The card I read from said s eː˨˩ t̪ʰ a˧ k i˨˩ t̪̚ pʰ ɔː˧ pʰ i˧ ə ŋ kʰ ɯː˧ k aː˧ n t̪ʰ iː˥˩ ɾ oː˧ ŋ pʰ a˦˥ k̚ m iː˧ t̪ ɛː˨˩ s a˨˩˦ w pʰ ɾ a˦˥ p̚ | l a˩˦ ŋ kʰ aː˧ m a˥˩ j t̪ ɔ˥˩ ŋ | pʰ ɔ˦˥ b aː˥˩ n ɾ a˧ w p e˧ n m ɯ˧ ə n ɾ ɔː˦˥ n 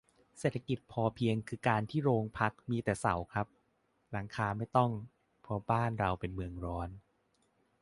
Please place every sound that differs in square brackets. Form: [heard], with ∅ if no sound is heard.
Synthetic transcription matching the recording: s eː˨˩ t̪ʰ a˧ k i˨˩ t̪̚ pʰ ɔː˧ pʰ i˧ ə ŋ kʰ ɯː˧ k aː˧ n t̪ʰ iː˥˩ ɾ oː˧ ŋ pʰ a˦˥ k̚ m iː˧ t̪ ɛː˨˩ s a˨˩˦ w [kʰ] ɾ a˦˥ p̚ | l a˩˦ ŋ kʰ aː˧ m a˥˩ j t̪ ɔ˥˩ ŋ | pʰ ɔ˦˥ b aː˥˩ n ɾ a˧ w p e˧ n m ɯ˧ ə [ŋ] ɾ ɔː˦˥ n